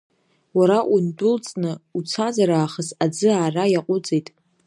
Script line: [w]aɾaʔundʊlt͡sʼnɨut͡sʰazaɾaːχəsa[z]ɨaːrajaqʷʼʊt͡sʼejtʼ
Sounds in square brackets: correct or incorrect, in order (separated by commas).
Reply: correct, incorrect